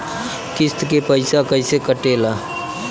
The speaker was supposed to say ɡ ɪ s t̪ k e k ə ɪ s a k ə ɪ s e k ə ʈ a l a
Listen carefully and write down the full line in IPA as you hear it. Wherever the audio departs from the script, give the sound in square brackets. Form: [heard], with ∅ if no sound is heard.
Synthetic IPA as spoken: [k] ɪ s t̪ k e [p] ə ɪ s a k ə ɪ s e k ə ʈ [e] l a

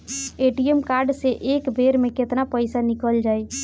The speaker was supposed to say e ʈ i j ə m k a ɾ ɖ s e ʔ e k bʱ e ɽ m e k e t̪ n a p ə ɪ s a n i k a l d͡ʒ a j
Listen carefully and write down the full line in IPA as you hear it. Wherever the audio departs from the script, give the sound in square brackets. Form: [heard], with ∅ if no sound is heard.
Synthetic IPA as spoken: e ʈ i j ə m k a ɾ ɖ s e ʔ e k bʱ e [ɾ] m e k e t̪ n a p ə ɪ s a n i k [ə] l d͡ʒ a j

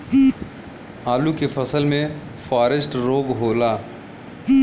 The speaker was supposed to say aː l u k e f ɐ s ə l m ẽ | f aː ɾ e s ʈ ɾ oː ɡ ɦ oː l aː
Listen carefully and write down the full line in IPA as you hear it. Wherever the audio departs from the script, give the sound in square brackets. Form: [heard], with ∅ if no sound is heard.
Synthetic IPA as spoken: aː l u k e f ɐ s ə l m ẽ | f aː ɾ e s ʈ ɾ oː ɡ ɦ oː l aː

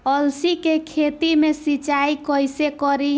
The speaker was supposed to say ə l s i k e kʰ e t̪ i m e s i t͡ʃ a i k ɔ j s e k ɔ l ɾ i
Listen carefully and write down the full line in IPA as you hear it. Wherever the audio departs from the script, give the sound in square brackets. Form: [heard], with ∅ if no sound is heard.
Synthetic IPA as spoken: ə l s i k e kʰ e t̪ i m e s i t͡ʃ a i k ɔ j s e k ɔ [∅] ɾ i

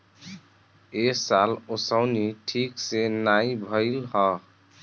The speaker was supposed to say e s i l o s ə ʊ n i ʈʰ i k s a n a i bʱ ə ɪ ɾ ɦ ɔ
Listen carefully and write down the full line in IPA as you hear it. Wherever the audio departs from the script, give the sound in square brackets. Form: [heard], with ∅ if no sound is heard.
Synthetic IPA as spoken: e s [a] l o s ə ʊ n i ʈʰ i k s [e] n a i bʱ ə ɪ [l] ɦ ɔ

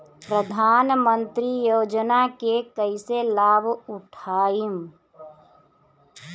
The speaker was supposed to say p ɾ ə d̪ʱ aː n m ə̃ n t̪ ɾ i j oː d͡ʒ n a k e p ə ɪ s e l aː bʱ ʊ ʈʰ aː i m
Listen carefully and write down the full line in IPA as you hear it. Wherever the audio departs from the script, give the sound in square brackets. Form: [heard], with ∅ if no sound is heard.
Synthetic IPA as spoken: p ɾ ə d̪ʱ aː n m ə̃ n t̪ ɾ i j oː d͡ʒ n a k e [k] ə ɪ s e l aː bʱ ʊ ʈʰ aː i m

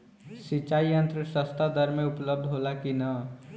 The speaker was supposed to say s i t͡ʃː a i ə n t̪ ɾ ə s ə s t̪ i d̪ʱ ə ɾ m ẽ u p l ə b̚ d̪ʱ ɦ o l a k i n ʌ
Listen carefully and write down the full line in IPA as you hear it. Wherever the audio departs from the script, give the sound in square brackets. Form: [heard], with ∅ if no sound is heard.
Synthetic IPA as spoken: s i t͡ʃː a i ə n t̪ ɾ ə s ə s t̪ [a] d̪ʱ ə ɾ m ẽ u p l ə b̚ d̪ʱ ɦ o l a k i n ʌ

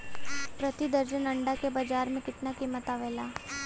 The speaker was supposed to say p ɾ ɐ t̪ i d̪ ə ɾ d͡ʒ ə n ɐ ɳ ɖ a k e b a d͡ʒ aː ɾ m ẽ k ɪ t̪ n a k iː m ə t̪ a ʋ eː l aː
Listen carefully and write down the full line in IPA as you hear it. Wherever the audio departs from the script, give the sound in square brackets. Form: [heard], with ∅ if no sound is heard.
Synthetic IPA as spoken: p ɾ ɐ t̪ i d̪ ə ɾ d͡ʒ ə n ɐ ɳ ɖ a k e b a d͡ʒ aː ɾ m ẽ k ɪ t̪ n a k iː m ə t̪ a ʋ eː l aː

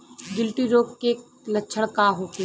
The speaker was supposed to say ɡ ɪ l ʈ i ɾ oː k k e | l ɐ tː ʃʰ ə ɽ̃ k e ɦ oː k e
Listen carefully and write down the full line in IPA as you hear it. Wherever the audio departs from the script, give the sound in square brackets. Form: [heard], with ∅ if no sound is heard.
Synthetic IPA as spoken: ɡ ɪ l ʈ i ɾ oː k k e | l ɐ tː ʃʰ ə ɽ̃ k [a] ɦ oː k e

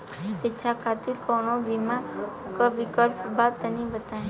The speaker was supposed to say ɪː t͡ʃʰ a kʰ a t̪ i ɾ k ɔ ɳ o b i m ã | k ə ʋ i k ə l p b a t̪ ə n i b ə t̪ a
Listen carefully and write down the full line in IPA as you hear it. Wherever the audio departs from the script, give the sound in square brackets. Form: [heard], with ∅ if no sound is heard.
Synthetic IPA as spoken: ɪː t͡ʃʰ a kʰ a t̪ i ɾ k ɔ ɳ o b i m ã | k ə ʋ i k ə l p b a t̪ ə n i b ə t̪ a

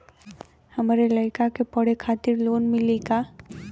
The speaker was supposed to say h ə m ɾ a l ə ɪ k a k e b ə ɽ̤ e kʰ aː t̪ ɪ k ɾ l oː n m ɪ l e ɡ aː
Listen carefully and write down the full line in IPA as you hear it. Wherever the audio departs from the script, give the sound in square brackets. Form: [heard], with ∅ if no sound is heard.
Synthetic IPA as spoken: h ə m ɾ [e] l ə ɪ k a k e [p] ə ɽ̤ e kʰ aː t̪ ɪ [∅] ɾ l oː n m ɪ l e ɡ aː

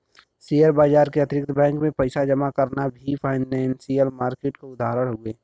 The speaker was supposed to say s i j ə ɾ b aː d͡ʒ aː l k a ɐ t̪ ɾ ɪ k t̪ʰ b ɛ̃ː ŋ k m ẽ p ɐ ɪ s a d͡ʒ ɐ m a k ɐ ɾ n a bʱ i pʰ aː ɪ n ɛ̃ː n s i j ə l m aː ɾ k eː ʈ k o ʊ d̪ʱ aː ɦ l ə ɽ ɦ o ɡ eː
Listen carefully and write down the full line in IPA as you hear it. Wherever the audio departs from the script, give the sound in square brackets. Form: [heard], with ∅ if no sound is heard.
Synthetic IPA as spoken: s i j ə ɾ b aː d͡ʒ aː [ɾ] k [e] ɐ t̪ ɾ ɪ k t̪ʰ b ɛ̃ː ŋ k m ẽ p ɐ ɪ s a d͡ʒ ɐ m a k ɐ ɾ n a bʱ i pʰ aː ɪ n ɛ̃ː n s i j ə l m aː ɾ k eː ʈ k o ʊ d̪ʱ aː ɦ [ɾ] ə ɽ ɦ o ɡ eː

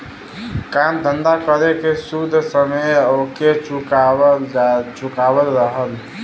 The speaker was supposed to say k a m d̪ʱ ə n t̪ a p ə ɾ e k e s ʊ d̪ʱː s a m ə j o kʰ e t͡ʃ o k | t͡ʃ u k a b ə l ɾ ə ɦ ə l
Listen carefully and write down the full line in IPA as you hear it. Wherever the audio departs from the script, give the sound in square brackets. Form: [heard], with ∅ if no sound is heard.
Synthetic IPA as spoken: k a m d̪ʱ ə n [d̪] a [k] ə ɾ e k e s [u] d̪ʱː s [ə] m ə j o [k] e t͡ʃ [u] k | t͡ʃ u k a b ə l ɾ ə ɦ ə l

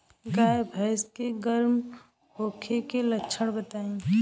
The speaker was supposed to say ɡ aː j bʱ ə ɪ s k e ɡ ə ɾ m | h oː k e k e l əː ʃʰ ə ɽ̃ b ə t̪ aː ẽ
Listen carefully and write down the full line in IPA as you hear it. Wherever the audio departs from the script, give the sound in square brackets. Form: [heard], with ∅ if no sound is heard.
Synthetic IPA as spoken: ɡ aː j bʱ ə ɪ s k e ɡ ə ɾ m | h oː [kʰ] e k e l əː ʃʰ ə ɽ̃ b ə t̪ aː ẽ

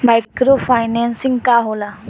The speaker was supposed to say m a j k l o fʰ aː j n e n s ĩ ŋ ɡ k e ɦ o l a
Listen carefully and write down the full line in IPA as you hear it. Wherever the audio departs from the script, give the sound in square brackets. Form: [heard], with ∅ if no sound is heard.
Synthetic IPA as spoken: m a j k [ɾ] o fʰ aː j n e n s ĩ ŋ ɡ k [a] ɦ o l a

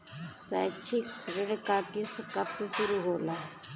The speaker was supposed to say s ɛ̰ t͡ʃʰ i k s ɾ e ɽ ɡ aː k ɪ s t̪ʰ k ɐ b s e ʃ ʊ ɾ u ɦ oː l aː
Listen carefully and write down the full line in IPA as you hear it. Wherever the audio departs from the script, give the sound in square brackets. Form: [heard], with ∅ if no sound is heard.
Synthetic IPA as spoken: s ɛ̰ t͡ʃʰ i k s ɾ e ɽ [k] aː k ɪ s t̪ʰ k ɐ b s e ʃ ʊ ɾ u ɦ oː l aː

